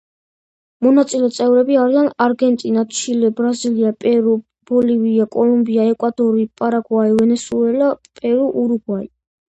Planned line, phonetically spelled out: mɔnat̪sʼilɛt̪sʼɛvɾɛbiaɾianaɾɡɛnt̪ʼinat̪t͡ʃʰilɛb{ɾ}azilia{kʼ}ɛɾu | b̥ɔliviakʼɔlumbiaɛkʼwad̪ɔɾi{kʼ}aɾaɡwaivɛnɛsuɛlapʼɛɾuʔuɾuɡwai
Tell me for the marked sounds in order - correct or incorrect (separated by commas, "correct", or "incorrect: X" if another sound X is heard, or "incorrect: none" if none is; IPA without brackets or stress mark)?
correct, incorrect: pʼ, incorrect: pʼ